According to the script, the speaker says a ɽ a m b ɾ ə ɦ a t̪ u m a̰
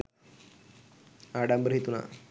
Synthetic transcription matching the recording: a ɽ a m b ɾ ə ɦ i t̪ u n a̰